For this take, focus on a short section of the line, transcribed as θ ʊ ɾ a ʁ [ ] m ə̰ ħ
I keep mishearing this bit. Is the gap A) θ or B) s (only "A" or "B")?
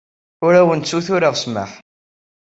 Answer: B